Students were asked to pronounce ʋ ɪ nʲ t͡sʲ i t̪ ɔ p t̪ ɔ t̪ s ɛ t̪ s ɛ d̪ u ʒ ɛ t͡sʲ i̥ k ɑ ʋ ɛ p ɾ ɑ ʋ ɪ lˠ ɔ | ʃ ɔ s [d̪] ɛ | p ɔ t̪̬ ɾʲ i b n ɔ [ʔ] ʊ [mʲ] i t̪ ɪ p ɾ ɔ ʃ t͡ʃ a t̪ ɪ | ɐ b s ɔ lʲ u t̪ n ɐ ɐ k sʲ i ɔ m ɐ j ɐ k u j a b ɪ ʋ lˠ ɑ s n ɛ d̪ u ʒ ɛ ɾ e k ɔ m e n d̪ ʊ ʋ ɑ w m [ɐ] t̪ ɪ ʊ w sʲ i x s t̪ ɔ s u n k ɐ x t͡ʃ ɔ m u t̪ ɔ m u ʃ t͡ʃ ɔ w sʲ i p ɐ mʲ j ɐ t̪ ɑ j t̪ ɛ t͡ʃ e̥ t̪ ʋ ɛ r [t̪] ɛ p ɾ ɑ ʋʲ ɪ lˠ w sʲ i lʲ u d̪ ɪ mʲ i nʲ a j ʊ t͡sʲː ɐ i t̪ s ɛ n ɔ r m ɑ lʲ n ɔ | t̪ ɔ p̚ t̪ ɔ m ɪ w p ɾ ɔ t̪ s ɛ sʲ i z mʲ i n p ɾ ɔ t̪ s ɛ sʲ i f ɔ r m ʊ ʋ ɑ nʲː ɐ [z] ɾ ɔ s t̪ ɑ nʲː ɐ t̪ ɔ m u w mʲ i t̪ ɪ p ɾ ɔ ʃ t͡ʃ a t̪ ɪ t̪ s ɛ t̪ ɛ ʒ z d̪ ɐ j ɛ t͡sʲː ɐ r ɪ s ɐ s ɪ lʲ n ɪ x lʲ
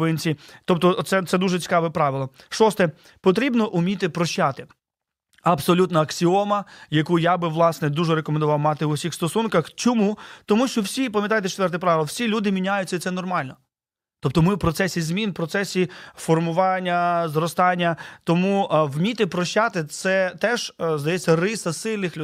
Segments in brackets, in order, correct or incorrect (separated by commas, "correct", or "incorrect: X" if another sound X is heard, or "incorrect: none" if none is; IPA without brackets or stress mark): incorrect: t̪, correct, correct, incorrect: ɑ, correct, correct